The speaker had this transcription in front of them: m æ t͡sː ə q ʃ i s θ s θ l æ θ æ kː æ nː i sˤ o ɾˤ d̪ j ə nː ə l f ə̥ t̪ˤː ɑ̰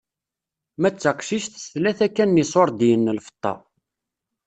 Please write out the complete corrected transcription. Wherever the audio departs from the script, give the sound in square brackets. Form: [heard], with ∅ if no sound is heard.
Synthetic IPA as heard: m æ t͡sː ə q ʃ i [ʃ] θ s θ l æ θ æ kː æ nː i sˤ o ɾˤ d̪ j ə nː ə l f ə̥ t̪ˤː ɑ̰